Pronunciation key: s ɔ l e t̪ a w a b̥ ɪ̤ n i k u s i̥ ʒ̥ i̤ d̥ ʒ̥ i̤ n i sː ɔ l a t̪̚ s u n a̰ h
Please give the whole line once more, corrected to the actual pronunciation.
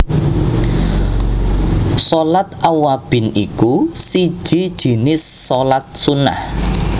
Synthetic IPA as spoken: s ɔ l a t̪ a w a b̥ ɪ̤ n i k u s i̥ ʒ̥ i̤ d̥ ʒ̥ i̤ n ɪ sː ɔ l a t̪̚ s u n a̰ h

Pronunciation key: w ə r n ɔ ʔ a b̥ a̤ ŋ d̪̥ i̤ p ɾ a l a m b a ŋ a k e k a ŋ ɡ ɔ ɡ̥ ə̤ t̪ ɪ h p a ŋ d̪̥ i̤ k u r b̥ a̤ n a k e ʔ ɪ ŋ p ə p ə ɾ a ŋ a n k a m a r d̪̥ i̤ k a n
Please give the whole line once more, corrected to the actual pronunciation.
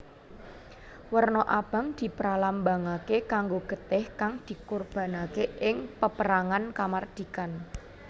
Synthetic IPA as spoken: w ə r n ɔ ʔ a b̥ a̤ ŋ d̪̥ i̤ p ɾ a l a m b a ŋ a k e k a ŋ ɡ o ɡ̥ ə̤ t̪ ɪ h k a ŋ d̪̥ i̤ k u r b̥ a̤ n a k e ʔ ɪ ŋ p ə p ə ɾ a ŋ a n k a m a r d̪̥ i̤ k a n

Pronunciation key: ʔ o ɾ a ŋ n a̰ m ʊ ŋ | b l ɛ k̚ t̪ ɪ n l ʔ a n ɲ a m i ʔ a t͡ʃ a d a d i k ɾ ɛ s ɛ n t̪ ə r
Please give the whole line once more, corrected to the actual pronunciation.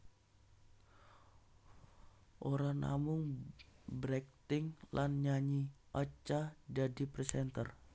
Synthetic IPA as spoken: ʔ o ɾ a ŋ n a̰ m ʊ ŋ | b ɾ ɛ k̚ t̪ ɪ ŋ l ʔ a n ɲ a ɲ i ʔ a t͡ʃ a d a d i p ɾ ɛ s ɛ n t̪ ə r

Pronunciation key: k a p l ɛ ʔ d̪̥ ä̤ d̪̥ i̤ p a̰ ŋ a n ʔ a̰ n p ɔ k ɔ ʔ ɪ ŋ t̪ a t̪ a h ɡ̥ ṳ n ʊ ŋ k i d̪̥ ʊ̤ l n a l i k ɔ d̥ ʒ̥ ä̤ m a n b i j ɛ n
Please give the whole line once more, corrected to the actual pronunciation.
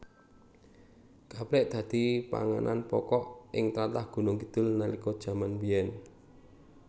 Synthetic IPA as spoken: k a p l ɛ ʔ d̪̥ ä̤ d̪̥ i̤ p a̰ ŋ a n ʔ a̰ n p ɔ k ɔ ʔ ɪ ŋ t̪ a t̪ a h ɡ̥ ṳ n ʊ ŋ k i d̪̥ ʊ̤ l n a l i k ɔ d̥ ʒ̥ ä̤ m a n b i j ɛ n

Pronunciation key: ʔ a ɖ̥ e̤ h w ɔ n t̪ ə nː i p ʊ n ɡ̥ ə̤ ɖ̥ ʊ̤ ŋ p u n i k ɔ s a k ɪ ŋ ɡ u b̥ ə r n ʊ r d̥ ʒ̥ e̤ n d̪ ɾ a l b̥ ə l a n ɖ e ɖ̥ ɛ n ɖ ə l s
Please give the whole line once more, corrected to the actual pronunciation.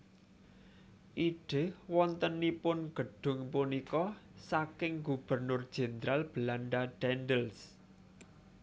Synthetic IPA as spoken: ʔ i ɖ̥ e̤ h w ɔ n t̪ ə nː i p ʊ n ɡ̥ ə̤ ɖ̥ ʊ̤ ŋ p u n i k ɔ s a k ɪ ŋ ɡ u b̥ ə r n ʊ r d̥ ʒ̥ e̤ n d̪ ɾ a l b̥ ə l a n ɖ a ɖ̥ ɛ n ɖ ə l s

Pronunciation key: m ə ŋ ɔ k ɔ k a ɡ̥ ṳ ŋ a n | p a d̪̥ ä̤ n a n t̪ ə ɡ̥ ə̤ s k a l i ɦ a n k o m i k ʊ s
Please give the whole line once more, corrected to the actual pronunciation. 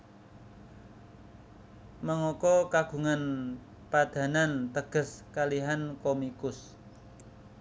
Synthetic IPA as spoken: m ə ŋ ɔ k ɔ k a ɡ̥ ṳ ŋ a n | p a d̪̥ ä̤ n a n t̪ ə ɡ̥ ə̤ s k a l i ɦ a n k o m i k ʊ s

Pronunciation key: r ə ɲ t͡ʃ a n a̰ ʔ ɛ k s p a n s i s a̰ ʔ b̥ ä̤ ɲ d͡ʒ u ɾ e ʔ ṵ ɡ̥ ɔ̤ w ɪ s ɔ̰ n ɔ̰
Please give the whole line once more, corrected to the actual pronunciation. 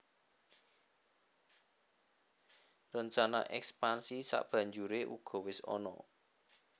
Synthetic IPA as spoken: r ə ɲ t͡ʃ a n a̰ ʔ ɛ k s p a n s i s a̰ ʔ b̥ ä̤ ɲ d͡ʒ u ɾ e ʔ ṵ ɡ̥ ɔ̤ w ɪ s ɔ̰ n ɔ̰

